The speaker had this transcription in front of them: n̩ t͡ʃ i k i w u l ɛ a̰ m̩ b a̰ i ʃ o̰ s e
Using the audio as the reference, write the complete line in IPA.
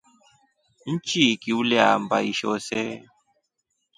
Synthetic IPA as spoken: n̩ t͡ʃ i k i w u l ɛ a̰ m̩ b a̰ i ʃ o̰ s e